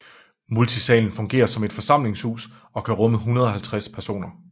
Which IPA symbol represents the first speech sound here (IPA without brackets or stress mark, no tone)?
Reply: m